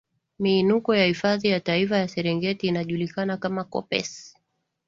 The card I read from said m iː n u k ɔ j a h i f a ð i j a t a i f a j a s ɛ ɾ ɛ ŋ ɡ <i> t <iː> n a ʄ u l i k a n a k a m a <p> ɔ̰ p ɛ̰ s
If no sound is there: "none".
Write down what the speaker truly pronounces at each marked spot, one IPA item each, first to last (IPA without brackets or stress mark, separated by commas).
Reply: ɛ, iː, k